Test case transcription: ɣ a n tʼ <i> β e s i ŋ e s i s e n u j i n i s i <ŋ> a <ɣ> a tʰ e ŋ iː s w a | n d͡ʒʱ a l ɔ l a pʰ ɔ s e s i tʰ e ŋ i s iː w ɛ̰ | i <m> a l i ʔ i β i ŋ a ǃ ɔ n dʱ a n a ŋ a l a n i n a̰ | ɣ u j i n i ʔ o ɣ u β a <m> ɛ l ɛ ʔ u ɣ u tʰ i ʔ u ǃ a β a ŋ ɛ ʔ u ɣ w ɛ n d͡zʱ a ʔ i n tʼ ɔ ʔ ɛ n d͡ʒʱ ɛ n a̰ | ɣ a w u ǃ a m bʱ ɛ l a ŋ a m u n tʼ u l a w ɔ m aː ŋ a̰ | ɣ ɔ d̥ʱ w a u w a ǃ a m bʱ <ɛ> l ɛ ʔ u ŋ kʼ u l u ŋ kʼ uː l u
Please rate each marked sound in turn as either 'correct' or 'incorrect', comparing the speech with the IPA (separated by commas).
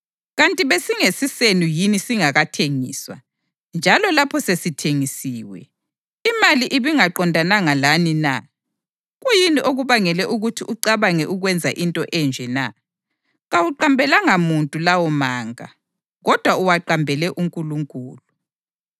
correct, correct, correct, correct, incorrect, correct